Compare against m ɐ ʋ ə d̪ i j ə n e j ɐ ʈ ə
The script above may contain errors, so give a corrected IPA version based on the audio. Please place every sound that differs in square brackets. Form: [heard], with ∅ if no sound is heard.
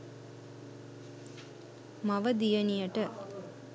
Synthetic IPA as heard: m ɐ ʋ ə d̪ i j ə n [i] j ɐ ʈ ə